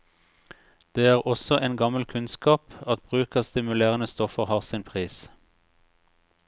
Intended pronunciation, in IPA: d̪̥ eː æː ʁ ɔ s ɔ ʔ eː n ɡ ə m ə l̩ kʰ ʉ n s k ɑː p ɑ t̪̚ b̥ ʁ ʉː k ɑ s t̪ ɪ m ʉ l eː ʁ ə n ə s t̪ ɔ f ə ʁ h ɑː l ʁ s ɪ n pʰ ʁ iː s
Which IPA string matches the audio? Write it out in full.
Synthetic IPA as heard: d̪̥ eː æː ʁ ɔ s ɔ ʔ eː n ɡ ɑ m ə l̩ kʰ ʉ n s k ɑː p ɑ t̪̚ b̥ ʁ ʉː k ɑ s t̪ ɪ m ʉ l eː ʁ ə n ə s t̪ ɔ f ə ʁ h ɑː ʁ s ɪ n pʰ ʁ iː s